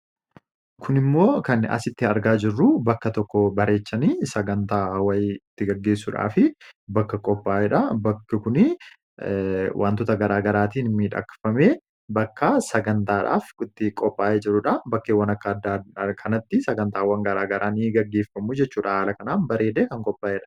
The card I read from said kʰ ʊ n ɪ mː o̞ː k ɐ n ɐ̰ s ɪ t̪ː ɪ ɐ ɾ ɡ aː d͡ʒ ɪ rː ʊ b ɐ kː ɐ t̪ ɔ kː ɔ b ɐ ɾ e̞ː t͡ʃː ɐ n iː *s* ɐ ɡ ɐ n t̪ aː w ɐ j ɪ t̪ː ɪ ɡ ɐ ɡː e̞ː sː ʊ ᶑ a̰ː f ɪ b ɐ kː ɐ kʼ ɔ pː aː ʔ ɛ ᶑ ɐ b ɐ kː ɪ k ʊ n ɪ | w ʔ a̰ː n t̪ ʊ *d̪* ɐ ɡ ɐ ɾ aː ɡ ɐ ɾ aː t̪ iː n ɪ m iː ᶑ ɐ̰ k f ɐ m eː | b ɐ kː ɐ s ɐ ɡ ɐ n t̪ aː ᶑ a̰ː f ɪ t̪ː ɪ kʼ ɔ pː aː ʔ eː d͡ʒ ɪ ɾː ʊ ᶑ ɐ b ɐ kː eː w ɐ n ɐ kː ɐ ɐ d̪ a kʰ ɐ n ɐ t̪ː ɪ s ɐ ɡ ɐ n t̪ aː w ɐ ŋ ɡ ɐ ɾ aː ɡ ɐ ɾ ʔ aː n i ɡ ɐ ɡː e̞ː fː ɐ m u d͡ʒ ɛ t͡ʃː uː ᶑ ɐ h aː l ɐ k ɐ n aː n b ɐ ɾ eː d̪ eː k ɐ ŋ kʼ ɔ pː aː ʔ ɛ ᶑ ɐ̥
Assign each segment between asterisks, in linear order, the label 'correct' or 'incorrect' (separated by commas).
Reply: correct, incorrect